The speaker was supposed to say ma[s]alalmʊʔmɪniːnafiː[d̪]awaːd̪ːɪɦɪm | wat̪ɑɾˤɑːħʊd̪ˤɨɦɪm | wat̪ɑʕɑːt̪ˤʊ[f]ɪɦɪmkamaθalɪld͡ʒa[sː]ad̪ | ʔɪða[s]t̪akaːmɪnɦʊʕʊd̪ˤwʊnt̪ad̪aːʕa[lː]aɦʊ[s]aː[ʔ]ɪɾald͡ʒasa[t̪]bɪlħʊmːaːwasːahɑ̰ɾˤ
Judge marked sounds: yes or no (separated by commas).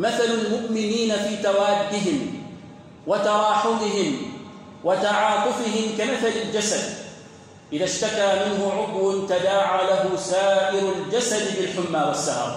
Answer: no, no, yes, no, no, no, yes, yes, no